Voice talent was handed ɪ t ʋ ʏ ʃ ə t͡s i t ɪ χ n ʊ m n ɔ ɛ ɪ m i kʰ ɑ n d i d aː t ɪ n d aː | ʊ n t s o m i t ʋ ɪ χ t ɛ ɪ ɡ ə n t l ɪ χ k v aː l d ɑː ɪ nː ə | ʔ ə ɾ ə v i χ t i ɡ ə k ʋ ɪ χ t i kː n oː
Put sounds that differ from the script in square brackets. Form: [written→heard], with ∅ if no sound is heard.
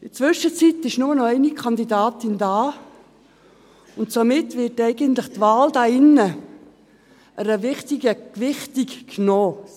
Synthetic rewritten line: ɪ [t→t͡s] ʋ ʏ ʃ ə t͡s i t ɪ [χ→ʃ] n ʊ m n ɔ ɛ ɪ [m→n] i kʰ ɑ n d i d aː t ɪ n d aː | ʊ n t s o m [i→ɪ] t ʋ ɪ [χ→∅] t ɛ ɪ ɡ ə n t l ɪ χ [k→t] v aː l d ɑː ɪ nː ə | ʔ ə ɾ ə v [i→ɪ] χ t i ɡ ə k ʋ ɪ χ t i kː n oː